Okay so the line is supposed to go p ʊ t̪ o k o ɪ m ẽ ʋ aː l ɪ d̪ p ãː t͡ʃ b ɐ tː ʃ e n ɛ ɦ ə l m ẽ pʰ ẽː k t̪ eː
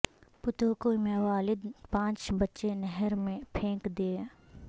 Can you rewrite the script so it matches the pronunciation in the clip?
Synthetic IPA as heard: p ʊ t̪ o k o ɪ m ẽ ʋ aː l ɪ d̪ p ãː t͡ʃ b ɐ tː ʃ e n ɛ ɦ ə ɾ m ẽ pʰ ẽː k d̪ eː